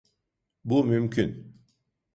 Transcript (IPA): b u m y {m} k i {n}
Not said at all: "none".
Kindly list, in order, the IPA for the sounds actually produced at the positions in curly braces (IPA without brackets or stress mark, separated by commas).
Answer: m, n